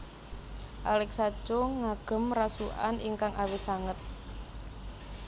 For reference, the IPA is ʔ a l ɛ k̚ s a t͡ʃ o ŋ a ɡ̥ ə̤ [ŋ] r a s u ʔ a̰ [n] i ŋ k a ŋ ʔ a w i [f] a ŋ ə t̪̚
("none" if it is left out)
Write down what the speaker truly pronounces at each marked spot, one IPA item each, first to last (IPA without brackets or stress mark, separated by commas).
m, n, s